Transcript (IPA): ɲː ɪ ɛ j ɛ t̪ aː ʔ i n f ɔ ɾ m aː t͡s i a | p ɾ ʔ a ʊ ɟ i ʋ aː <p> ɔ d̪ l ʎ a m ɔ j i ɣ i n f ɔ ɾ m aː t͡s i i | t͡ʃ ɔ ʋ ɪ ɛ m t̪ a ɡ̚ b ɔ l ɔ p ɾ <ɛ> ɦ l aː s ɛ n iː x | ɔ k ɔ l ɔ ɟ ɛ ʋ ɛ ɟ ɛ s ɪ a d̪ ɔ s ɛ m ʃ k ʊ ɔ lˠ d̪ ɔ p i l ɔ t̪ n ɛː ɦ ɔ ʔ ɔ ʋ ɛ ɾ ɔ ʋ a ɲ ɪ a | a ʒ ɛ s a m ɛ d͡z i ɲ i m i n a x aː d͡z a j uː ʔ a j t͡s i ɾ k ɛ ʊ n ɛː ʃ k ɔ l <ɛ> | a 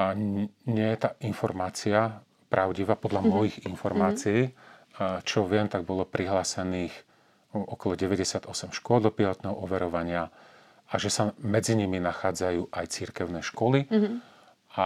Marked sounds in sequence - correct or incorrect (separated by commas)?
correct, incorrect, incorrect